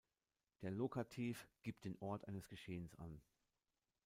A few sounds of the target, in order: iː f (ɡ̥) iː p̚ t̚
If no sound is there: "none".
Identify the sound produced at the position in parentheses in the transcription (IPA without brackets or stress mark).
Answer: ɡ̥